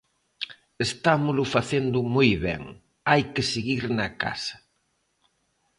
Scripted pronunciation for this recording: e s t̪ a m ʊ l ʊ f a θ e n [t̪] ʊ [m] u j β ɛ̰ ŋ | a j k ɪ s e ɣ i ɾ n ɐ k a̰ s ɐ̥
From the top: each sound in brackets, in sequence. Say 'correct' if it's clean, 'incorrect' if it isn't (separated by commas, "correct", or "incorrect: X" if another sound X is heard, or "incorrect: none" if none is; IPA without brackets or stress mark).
incorrect: d̪, correct